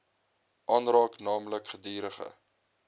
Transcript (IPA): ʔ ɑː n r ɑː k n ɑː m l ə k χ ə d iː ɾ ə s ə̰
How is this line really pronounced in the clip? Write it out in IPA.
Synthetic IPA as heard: ʔ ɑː n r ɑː k n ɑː m l ə k χ ə d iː ɾ ə χ ə̰